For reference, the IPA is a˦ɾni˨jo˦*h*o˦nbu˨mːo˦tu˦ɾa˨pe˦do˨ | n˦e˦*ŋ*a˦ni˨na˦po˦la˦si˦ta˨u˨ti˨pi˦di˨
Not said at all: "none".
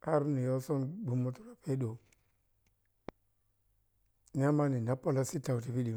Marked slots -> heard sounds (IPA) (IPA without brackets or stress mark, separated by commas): s, m